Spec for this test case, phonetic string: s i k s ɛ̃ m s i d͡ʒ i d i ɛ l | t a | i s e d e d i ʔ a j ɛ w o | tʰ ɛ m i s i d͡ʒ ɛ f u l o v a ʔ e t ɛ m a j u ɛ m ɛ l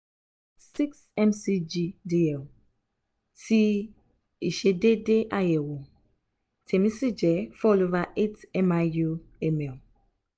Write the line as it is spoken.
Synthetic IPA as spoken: s i k s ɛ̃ m s i d͡ʒ i d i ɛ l | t i | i ʃ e d e d e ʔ a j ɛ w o | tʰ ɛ m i s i d͡ʒ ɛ f ɔ l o v a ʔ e t ɛ m a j u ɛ m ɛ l